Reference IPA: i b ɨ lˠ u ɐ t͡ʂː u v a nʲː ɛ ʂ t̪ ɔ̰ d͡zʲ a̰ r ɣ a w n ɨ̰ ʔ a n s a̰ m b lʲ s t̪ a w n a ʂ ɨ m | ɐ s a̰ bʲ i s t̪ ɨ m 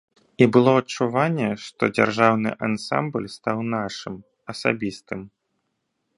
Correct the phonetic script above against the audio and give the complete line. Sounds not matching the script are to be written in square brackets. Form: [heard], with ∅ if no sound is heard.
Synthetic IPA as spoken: i b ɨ lˠ [ɔ] ɐ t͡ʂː u v a nʲː ɛ ʂ t̪ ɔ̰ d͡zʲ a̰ r [ʐ] a w n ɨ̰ ʔ a n s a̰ m b lʲ s t̪ a w n a ʂ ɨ m | ɐ s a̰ bʲ i s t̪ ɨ m